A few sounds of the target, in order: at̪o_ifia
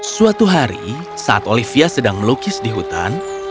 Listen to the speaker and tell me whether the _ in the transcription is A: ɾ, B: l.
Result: B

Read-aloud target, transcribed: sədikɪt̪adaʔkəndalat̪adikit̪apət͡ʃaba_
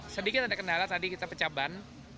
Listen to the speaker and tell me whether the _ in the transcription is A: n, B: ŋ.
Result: A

